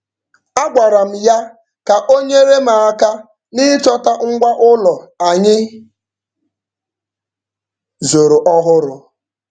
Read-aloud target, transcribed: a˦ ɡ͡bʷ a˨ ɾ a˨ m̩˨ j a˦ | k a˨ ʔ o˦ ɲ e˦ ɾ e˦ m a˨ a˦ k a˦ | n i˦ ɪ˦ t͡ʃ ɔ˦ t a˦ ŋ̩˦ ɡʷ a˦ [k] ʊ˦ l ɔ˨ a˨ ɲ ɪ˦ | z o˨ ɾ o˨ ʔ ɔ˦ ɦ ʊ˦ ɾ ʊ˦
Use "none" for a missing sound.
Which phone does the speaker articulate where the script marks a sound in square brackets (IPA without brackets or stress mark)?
ʔ